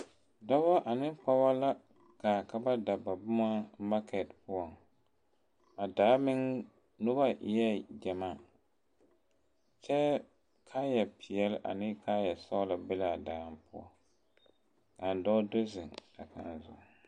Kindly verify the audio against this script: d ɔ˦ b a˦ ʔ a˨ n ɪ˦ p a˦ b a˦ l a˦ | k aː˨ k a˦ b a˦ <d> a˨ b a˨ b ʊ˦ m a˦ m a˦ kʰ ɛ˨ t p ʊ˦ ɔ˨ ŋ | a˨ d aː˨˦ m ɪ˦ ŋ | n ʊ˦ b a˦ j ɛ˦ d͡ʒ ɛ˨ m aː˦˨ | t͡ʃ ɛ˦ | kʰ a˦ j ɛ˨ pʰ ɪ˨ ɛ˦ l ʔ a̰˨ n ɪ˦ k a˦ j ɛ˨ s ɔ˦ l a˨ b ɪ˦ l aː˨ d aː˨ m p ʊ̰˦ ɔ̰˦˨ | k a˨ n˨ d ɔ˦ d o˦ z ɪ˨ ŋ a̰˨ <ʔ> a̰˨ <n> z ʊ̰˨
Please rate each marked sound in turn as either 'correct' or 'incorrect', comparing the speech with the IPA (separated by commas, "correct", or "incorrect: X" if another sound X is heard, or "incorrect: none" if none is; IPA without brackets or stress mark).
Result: correct, incorrect: k, correct